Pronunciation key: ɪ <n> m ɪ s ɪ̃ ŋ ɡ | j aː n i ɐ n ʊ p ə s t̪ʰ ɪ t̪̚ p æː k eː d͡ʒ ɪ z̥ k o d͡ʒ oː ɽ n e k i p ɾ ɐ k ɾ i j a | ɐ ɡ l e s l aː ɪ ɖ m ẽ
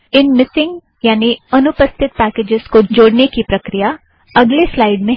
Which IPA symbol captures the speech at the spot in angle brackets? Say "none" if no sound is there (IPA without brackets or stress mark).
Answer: n